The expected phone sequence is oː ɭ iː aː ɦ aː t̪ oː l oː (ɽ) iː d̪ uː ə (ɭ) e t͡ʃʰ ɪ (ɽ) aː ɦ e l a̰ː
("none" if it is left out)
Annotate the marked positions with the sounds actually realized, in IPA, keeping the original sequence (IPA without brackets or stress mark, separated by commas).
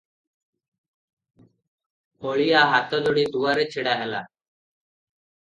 ɽ, ɾ, ɽ